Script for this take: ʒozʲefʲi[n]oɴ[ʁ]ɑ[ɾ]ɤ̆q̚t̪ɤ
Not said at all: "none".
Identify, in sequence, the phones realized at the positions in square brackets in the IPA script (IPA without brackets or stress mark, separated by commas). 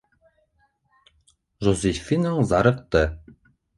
n, z, ɾ